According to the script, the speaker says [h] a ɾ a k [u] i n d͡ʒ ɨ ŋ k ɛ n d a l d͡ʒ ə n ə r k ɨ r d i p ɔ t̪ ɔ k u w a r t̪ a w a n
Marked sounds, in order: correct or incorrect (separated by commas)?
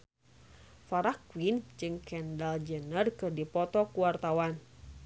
incorrect, incorrect